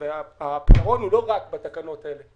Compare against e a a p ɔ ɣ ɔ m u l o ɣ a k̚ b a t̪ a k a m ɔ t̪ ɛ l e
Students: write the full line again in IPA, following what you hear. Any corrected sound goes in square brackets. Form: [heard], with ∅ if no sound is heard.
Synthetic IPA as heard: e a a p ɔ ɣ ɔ [n] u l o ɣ a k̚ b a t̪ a k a [n] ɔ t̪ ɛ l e